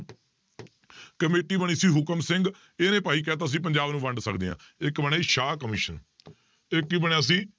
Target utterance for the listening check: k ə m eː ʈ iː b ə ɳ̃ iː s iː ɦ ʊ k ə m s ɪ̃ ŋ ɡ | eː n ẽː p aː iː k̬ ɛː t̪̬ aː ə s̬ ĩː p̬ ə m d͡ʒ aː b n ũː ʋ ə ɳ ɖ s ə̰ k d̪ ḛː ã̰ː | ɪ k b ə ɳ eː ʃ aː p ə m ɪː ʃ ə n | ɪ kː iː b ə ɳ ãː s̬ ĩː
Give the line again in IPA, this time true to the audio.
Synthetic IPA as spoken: k ə m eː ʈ iː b ə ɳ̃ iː s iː ɦ ʊ k ə m s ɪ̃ ŋ ɡ | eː n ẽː p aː iː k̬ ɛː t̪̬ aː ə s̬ ĩː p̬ ə ɲ d͡ʒ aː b n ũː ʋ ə ɳ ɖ s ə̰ k d̪ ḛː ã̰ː | ɪ k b ə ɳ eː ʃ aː k ə m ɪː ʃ ə n | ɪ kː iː b ə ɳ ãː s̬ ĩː

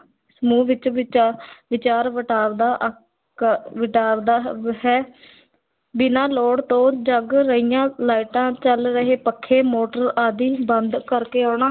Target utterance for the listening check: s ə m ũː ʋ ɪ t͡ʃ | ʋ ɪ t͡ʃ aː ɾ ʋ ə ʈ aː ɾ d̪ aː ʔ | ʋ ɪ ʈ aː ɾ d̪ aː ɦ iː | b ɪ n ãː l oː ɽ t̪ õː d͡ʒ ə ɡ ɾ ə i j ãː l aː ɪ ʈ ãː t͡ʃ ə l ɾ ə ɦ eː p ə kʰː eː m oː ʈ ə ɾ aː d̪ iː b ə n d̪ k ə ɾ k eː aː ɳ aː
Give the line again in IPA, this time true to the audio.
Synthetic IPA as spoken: s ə m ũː ʋ ɪ t͡ʃ | ʋ ɪ t͡ʃ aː ɾ ʋ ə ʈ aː ɾ d̪ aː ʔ | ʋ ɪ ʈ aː ɾ d̪ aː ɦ ɛː | b ɪ n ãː l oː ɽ t̪ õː d͡ʒ ə ɡ ɾ ə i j ãː l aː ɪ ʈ ãː t͡ʃ ə l ɾ ə ɦ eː p ə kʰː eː m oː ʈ ə ɾ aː d̪ iː b ə n d̪ k ə ɾ k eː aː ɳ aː

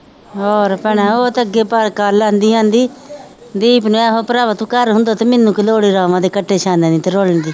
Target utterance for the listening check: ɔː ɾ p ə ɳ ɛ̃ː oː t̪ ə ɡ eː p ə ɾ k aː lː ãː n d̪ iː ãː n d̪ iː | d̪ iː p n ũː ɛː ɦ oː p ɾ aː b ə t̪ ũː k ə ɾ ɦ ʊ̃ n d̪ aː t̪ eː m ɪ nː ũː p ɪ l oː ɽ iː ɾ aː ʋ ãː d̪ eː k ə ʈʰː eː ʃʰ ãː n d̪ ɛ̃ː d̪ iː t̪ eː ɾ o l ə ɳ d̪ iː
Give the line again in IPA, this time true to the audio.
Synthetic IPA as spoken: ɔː ɾ p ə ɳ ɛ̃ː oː t̪ ə ɡ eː p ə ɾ k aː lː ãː n d̪ iː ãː n d̪ iː | d̪ iː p n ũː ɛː ɦ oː p ɾ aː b ə t̪ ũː k ə ɾ ɦ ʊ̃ n d̪ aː t̪ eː m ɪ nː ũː k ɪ l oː ɽ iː ɾ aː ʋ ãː d̪ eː k ə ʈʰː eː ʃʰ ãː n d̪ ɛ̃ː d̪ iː t̪ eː ɾ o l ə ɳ d̪ iː

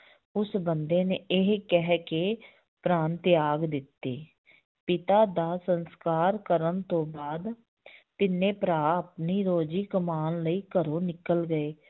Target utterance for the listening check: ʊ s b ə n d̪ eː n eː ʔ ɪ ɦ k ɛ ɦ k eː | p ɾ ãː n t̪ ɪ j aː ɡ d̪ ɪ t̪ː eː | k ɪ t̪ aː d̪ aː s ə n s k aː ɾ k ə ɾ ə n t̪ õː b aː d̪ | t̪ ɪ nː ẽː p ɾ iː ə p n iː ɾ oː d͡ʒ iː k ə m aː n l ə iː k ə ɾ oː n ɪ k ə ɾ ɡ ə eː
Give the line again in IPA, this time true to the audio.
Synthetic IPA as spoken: ʊ s b ə n d̪ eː n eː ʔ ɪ ɦ k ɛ ɦ k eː | p ɾ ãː n t̪ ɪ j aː ɡ d̪ ɪ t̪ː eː | p ɪ t̪ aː d̪ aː s ə n s k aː ɾ k ə ɾ ə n t̪ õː b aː d̪ | t̪ ɪ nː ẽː p ɾ aː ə p n iː ɾ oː d͡ʒ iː k ə m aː n l ə iː k ə ɾ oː n ɪ k ə l ɡ ə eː

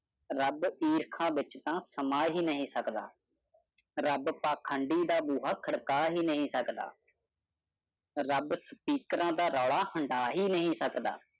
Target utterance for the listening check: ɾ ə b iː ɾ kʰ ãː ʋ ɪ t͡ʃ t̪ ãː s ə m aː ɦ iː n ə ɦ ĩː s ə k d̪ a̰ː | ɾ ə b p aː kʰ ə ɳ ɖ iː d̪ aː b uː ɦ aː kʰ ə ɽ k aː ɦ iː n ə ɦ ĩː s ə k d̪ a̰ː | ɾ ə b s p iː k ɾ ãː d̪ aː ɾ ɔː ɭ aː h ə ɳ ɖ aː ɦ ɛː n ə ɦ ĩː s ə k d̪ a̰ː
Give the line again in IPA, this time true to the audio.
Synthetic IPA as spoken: ɾ ə b iː ɾ kʰ ãː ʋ ɪ t͡ʃ t̪ ãː s ə m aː ɦ iː n ə ɦ ĩː s ə k d̪ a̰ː | ɾ ə b p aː kʰ ə ɳ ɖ iː d̪ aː b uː ɦ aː kʰ ə ɽ k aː ɦ iː n ə ɦ ĩː s ə k d̪ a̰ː | ɾ ə b s p iː k ɾ ãː d̪ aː ɾ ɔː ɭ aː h ə ɳ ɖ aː ɦ iː n ə ɦ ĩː s ə k d̪ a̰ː

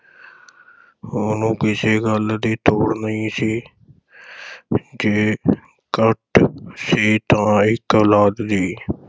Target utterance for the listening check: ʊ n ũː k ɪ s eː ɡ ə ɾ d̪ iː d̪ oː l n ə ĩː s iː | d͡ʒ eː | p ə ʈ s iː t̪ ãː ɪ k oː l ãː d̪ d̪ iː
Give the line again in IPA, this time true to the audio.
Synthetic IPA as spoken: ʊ n ũː k ɪ s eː ɡ ə l d̪ iː t̪ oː ɽ n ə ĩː s iː | d͡ʒ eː | k ə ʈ s iː t̪ ãː ɪ k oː l aː d̪ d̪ iː

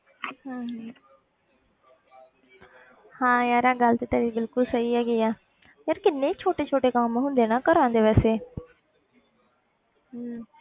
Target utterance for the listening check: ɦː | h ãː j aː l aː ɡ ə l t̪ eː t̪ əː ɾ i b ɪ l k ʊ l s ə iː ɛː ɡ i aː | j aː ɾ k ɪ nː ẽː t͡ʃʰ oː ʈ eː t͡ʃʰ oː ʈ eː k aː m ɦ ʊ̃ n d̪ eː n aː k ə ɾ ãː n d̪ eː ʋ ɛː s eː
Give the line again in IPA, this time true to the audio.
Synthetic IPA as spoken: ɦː | h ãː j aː ɾ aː ɡ ə l t̪ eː t̪ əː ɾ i b ɪ l k ʊ l s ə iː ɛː ɡ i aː | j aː ɾ k ɪ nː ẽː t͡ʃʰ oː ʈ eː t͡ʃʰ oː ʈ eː k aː m ɦ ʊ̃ n d̪ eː n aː k ə ɾ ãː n d̪ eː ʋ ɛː s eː

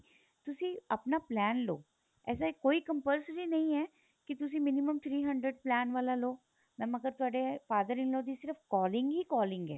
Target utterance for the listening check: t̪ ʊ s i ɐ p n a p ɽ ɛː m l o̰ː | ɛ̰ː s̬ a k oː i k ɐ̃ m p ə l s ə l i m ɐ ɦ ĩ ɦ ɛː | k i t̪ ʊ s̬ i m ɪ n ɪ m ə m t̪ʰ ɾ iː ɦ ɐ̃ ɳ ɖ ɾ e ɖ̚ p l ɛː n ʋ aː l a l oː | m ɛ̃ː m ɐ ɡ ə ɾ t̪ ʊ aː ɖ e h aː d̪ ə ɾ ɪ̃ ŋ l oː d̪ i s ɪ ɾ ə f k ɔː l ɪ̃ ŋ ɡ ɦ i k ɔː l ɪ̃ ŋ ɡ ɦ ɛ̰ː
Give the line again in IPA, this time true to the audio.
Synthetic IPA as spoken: t̪ ʊ s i ɐ p n a p l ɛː n l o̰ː | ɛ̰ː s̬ a k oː i k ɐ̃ m p ə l s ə ɾ i n ɐ ɦ ĩ ɦ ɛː | k i t̪ ʊ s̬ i m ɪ n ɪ m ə m t̪ʰ ɾ iː ɦ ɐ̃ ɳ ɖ ɾ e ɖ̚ p l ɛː n ʋ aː l a l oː | m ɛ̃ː m ɐ ɡ ə ɾ t̪ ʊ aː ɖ e f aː d̪ ə ɾ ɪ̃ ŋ l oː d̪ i s ɪ ɾ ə f k ɔː l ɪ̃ ŋ ɡ ɦ i k ɔː l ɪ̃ ŋ ɡ ɦ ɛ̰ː

